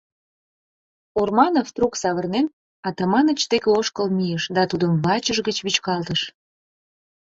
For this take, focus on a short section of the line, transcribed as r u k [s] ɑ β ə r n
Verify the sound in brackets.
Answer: correct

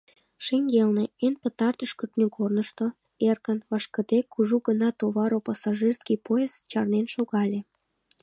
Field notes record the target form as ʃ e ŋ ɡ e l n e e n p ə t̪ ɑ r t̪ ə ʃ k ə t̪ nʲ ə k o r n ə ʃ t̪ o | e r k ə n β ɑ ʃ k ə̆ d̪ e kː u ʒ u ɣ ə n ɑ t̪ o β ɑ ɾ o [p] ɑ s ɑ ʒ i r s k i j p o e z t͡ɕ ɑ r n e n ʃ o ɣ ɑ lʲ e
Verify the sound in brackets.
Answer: correct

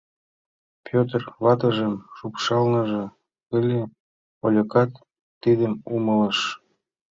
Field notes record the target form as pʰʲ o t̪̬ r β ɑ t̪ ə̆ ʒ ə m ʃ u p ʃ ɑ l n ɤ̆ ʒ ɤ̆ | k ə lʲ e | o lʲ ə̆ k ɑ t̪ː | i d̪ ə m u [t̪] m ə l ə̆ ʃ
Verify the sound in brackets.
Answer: incorrect: none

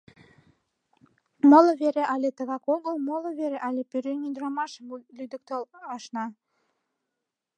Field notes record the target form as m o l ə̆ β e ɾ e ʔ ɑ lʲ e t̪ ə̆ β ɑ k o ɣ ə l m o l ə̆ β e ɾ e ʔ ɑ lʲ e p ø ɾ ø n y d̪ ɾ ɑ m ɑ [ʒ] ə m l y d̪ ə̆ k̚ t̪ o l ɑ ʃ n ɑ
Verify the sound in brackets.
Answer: incorrect: ʃ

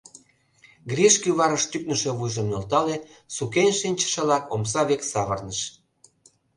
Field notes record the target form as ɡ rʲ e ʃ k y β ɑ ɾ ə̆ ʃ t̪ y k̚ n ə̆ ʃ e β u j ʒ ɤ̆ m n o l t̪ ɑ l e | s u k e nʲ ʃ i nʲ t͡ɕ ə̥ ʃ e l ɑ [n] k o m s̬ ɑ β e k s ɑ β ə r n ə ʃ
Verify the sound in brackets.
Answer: incorrect: none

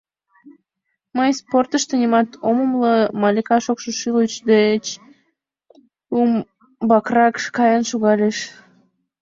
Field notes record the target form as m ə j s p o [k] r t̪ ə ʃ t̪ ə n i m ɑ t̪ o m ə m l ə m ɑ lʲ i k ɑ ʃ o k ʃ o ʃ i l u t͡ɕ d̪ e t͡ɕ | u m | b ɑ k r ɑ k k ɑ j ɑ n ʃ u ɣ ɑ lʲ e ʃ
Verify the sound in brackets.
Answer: incorrect: none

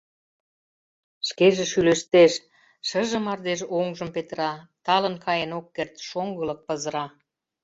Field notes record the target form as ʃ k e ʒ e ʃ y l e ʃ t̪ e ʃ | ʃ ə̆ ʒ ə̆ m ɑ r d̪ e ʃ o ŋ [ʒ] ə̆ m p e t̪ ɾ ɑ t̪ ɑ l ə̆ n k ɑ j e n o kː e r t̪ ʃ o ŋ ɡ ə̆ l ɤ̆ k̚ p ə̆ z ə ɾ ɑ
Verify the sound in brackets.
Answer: correct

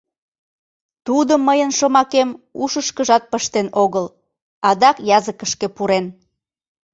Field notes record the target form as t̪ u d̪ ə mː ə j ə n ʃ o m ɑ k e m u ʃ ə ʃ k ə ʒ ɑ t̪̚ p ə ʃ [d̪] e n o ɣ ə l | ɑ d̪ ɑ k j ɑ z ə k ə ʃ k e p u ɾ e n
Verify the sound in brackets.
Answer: incorrect: t̪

